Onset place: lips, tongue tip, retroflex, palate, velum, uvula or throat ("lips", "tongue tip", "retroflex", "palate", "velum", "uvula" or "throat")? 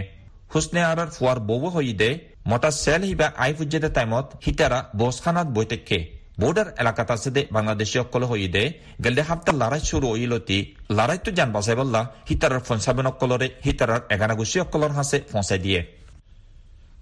throat